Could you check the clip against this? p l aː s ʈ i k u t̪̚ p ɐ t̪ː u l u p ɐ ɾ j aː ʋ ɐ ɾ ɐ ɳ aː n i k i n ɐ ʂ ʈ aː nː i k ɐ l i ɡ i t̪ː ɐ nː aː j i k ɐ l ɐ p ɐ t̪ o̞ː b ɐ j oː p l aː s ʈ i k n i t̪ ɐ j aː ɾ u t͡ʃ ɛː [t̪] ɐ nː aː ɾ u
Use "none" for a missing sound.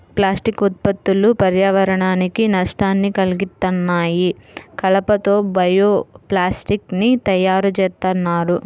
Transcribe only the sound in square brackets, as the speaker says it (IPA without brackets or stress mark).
t̪